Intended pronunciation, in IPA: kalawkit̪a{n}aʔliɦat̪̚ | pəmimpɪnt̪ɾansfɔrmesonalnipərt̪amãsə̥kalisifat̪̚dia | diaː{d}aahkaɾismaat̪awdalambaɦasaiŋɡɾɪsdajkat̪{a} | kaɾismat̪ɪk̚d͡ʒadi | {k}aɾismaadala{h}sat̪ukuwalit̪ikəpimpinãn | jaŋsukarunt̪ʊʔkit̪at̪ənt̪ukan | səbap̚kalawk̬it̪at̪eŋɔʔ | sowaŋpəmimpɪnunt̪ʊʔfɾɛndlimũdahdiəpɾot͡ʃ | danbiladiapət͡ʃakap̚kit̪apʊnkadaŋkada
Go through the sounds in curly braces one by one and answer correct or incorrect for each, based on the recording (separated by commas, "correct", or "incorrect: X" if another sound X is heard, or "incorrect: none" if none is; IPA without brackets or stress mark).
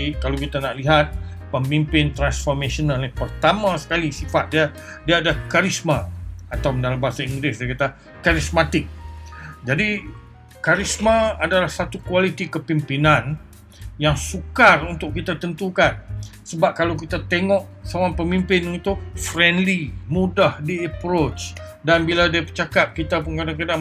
correct, correct, correct, correct, correct